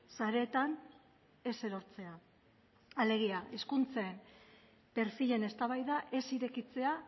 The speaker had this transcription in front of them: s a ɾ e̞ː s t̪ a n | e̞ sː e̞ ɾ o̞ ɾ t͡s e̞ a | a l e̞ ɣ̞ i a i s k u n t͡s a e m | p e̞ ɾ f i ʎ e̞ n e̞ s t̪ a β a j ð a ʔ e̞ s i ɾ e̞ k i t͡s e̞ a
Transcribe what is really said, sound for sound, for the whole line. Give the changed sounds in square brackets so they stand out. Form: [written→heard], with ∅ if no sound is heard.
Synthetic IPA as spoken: s a ɾ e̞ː [s→∅] t̪ a n | e̞ [sː→s] e̞ ɾ o̞ ɾ t͡s e̞ a | a l e̞ ɣ̞ i a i s k u n t͡s a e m | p e̞ ɾ f i ʎ e̞ n e̞ s t̪ a β a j ð a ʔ e̞ s i ɾ e̞ k i t͡s e̞ a